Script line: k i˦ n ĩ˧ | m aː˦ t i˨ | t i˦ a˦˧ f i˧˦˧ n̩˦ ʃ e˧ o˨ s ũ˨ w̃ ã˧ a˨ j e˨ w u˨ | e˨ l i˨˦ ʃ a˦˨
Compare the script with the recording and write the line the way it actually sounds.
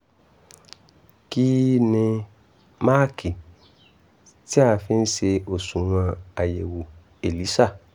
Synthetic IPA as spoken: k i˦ n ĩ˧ | m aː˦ k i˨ | t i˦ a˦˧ f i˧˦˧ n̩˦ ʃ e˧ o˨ s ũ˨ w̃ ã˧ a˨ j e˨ w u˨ | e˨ l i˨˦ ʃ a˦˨